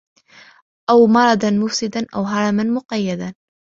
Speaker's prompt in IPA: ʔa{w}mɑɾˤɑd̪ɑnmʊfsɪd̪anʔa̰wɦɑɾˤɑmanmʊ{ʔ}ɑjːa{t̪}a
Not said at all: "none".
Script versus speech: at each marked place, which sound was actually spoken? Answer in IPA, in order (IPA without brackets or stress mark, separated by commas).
w, q, d̪